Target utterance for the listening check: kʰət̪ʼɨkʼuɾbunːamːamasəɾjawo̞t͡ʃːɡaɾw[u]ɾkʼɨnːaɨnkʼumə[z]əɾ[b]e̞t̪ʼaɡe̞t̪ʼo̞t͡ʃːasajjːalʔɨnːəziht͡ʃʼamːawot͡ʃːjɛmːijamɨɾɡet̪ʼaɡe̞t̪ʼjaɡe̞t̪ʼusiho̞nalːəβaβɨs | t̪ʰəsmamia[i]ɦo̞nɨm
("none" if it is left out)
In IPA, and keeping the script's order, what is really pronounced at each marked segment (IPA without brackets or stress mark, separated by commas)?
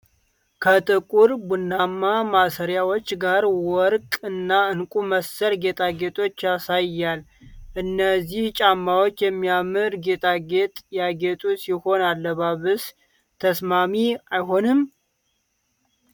ɔ, s, ɡ, j